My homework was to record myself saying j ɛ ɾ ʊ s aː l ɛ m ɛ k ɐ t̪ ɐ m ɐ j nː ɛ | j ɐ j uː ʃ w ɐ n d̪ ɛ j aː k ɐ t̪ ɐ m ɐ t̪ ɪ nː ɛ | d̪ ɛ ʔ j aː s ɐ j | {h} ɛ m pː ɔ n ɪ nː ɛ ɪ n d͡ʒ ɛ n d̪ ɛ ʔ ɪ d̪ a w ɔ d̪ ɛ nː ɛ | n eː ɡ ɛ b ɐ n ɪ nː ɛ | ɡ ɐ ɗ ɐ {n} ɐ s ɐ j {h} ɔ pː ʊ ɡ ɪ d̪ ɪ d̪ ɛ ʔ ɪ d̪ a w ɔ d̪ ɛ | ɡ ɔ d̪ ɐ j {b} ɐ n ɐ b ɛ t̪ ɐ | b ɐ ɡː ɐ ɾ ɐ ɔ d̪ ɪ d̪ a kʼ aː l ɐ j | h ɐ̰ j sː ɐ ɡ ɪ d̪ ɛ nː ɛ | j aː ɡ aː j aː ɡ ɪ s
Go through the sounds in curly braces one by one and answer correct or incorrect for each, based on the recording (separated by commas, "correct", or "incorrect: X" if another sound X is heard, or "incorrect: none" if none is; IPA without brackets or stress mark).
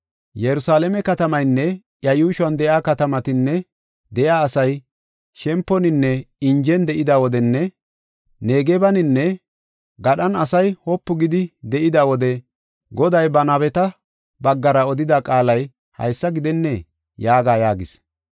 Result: incorrect: ʃ, correct, correct, correct